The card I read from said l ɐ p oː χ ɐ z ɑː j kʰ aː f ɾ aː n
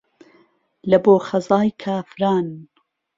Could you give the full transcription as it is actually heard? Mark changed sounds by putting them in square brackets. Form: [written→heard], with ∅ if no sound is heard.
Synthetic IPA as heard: l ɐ [p→b] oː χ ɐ z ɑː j kʰ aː f ɾ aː n